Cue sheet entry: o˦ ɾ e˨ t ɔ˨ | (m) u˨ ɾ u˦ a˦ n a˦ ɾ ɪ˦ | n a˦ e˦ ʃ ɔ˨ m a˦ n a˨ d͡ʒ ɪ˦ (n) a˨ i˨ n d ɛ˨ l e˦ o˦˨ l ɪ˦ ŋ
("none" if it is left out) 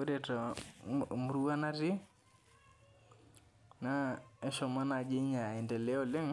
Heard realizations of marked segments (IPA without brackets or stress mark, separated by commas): m, ɲ